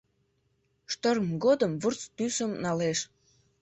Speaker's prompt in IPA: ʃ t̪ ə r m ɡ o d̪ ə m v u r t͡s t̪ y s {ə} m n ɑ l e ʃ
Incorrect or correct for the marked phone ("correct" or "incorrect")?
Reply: correct